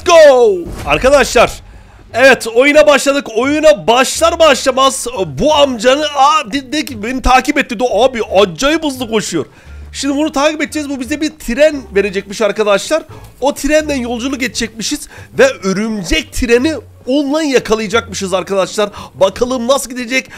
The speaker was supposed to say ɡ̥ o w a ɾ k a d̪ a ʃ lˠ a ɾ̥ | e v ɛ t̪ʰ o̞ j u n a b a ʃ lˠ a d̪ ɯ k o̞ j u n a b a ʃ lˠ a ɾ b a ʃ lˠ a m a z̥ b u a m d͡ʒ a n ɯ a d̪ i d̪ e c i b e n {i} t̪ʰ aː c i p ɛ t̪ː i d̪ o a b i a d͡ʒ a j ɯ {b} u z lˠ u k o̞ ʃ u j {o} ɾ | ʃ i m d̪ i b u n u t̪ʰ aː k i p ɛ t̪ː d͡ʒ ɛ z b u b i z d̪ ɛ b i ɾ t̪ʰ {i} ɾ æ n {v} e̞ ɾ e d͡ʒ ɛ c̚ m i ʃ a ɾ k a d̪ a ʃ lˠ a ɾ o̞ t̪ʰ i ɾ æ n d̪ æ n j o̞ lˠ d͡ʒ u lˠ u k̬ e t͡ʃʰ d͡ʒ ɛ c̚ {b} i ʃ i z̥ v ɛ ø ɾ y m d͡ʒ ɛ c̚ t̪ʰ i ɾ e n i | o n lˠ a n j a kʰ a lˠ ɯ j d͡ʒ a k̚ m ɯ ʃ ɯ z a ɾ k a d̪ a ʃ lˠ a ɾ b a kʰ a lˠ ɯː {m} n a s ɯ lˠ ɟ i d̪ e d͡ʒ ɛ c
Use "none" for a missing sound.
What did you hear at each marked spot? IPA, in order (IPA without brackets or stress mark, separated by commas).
i, b, o, i, v, m, m